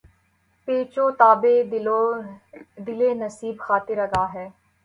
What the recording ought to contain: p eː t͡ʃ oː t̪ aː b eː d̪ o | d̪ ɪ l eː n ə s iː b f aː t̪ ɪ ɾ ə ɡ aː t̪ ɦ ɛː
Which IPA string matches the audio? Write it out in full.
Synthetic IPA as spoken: p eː t͡ʃ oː t̪ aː b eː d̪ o | d̪ ɪ l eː n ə s iː b x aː t̪ ɪ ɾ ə ɡ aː ɦ ɛː